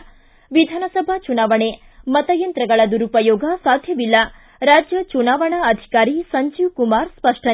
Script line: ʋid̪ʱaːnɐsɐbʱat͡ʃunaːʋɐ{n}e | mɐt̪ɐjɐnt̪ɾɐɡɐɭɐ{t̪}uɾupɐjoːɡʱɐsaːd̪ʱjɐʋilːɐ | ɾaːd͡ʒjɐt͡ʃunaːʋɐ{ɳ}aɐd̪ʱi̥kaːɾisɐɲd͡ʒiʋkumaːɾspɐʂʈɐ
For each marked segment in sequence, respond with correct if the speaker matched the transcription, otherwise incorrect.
incorrect: ɳ, incorrect: d̪, correct

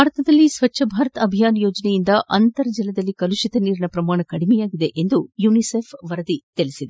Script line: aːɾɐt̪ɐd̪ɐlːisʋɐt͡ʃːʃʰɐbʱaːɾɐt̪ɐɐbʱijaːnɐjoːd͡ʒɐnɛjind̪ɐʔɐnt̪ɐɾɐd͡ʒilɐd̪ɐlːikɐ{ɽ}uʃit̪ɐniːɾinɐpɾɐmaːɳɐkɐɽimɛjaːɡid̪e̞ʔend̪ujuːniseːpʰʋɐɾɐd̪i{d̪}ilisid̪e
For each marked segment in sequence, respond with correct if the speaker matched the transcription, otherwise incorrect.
incorrect: l, incorrect: t̪

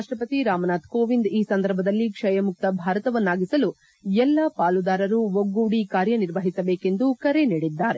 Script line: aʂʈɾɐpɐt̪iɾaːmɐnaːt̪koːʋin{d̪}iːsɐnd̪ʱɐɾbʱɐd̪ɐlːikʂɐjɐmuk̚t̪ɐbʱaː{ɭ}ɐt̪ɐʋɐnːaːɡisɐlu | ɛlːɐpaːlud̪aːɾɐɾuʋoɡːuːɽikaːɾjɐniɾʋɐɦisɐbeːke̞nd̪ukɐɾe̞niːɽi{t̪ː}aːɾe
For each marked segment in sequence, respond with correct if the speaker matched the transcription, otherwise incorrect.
correct, incorrect: ɾ, incorrect: d̪ː

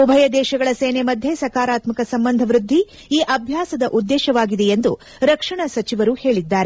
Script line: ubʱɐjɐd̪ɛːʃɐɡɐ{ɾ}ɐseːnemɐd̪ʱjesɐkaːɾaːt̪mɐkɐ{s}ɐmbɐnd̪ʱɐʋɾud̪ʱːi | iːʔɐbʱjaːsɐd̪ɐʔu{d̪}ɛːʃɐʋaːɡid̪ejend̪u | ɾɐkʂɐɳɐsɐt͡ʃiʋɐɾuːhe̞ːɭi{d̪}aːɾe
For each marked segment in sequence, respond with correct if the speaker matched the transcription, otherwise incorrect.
incorrect: ɭ, correct, incorrect: d̪ː, incorrect: d̪ː

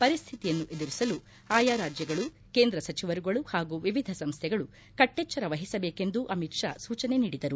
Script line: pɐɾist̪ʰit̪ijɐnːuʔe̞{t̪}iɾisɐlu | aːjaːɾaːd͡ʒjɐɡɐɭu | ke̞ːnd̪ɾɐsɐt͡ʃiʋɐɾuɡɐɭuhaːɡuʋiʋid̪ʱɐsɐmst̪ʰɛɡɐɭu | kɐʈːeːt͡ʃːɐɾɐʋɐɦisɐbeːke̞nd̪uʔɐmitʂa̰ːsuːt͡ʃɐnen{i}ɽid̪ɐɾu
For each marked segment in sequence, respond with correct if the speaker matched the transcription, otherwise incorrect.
incorrect: d̪, incorrect: iː

